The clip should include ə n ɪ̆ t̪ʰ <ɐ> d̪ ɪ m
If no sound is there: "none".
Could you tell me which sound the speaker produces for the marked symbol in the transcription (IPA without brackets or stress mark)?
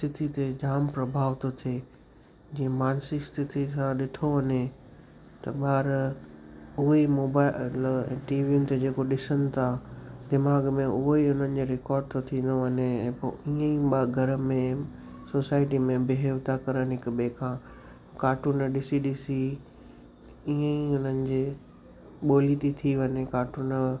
a